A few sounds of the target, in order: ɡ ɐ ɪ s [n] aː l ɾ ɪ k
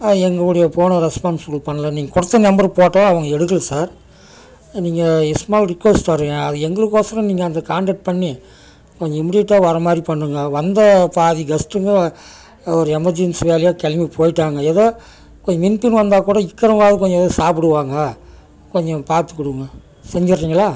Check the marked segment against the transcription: incorrect: m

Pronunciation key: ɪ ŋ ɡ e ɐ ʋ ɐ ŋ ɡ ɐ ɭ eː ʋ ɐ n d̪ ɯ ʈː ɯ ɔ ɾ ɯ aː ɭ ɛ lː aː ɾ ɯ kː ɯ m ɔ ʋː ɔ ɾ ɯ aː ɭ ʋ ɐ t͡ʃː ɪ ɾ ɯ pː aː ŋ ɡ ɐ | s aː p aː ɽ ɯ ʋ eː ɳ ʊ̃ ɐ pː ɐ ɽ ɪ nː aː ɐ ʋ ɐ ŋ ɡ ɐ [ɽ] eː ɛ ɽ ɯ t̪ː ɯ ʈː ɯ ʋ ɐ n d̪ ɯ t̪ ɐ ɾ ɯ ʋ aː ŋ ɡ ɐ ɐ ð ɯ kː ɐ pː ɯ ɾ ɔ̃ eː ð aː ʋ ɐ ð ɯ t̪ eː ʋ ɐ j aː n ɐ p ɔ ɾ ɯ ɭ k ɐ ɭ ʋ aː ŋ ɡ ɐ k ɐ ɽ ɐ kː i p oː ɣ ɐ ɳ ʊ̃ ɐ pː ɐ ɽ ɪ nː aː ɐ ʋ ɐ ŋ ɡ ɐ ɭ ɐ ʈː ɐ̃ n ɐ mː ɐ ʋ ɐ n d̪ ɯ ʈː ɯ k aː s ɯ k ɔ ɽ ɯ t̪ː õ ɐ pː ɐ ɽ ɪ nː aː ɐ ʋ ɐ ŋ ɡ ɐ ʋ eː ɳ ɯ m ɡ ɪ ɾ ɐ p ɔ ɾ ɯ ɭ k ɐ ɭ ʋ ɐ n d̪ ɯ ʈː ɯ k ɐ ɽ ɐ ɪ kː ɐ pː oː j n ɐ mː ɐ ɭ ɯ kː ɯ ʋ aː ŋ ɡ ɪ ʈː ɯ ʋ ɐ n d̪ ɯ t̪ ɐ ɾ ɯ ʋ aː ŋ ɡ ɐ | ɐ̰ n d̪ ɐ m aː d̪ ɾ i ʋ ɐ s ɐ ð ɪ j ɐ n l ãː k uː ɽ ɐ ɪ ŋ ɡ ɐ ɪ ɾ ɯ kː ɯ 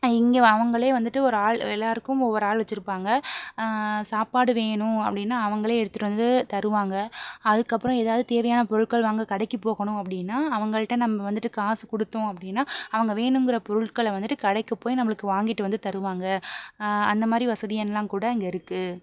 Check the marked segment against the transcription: incorrect: ɭ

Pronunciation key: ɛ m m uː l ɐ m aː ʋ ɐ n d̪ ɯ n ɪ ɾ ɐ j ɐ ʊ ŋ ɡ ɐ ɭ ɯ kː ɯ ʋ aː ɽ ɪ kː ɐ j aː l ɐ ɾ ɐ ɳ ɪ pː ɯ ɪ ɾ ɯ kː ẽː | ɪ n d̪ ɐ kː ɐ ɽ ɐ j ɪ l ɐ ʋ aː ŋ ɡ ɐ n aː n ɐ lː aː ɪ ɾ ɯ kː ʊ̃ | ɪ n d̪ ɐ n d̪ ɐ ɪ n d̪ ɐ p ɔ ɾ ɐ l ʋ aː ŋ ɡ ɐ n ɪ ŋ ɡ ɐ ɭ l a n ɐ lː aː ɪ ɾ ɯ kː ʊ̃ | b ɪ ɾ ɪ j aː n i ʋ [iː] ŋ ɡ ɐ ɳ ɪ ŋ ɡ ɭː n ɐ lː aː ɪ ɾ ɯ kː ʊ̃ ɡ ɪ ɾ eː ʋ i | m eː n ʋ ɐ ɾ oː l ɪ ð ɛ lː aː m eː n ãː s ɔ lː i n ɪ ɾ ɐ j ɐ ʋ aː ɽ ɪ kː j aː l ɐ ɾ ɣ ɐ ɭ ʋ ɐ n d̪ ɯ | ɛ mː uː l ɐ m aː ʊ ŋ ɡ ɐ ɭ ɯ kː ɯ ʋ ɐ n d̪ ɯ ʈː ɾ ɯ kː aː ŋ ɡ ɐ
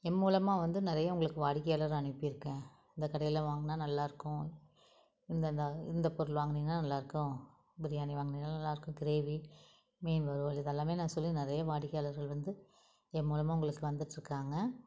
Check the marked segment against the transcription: incorrect: aː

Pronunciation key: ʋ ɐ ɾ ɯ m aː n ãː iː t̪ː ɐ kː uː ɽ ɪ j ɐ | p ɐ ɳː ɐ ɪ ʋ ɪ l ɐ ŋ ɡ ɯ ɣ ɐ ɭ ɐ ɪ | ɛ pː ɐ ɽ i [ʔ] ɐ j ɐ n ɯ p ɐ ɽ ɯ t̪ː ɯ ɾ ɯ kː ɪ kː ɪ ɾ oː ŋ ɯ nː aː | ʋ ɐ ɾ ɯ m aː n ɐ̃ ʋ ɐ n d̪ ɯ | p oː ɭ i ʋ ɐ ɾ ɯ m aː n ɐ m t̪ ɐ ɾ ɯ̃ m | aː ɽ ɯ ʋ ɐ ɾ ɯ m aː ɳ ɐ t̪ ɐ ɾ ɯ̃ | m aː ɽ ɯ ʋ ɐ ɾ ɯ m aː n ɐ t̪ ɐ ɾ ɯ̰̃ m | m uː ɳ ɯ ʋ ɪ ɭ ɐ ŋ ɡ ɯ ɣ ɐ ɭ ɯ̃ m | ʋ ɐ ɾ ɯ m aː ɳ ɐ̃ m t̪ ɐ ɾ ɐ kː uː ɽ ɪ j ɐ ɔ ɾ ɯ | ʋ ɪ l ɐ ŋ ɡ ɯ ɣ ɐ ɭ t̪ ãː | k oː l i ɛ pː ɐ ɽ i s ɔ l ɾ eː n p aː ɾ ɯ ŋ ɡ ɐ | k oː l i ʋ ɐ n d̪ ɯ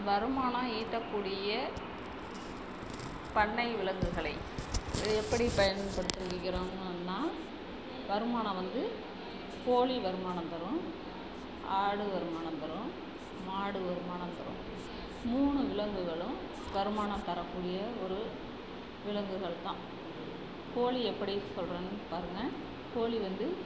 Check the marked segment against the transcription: incorrect: p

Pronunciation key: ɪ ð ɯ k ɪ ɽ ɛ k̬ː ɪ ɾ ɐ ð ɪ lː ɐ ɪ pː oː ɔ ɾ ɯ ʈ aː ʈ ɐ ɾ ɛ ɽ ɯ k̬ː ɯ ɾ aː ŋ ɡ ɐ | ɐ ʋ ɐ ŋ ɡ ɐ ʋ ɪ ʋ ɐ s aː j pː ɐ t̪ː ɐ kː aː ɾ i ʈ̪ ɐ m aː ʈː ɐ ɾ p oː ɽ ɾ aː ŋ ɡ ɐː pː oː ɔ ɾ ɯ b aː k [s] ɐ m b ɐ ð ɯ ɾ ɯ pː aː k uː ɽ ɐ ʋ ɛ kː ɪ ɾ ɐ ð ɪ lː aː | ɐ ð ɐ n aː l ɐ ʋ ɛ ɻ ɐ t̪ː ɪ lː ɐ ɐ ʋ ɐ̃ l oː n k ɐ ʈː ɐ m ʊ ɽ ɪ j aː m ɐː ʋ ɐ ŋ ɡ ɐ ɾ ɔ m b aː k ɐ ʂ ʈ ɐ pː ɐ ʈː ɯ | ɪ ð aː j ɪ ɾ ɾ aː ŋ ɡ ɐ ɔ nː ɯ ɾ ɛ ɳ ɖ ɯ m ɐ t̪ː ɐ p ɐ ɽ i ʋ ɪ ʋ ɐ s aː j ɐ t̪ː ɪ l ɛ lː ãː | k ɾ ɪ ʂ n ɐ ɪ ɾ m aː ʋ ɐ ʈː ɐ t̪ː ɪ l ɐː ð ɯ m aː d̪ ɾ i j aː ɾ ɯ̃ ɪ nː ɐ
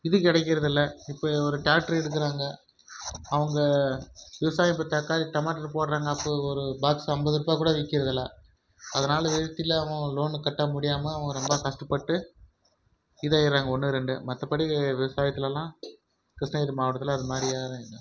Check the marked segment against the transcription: correct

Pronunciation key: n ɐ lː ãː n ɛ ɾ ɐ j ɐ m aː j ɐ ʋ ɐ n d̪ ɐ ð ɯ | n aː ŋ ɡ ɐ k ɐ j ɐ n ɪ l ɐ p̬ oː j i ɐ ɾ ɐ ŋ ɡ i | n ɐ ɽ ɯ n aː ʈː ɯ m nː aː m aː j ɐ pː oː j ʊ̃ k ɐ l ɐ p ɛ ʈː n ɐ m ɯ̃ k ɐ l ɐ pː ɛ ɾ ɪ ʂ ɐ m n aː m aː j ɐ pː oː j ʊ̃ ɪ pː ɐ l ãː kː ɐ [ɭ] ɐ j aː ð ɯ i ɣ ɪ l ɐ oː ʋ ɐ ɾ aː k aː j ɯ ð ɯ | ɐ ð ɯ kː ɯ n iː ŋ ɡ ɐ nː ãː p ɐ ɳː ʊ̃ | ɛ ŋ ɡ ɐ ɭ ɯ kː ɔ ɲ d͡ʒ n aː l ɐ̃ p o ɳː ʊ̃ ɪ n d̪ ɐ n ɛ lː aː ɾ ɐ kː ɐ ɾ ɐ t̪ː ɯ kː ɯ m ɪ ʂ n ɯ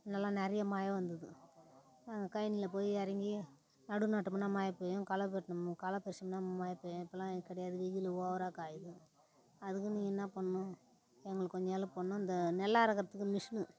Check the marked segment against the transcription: incorrect: ɽ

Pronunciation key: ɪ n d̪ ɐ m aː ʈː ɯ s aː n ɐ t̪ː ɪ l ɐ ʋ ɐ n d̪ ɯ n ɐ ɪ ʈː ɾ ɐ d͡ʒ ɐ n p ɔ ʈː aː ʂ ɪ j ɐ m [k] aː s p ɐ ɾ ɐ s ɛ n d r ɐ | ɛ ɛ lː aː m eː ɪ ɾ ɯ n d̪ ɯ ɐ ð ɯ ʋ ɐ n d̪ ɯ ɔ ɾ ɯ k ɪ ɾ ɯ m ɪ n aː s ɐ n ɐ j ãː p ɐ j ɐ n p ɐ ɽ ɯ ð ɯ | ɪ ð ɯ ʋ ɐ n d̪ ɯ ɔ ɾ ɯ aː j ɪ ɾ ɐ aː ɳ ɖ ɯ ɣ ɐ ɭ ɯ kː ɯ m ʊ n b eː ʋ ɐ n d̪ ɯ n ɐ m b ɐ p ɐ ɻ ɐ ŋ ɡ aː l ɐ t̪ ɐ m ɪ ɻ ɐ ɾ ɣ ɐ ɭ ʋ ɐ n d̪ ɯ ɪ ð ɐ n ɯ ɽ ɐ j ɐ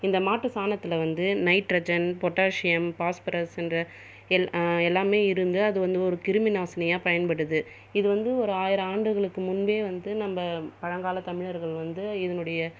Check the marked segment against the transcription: incorrect: p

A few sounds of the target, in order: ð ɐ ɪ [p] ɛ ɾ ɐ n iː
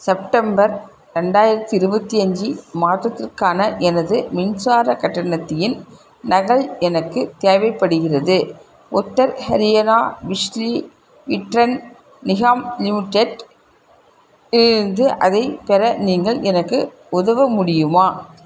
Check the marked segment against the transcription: correct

